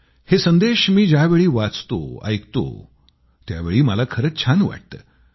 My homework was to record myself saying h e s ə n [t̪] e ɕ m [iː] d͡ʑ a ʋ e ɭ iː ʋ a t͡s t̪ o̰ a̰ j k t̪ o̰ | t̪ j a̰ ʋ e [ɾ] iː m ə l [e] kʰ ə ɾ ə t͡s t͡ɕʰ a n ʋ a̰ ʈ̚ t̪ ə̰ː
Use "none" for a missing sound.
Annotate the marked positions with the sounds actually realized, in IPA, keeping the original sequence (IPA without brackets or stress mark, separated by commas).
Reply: d̪, iː, ɭ, a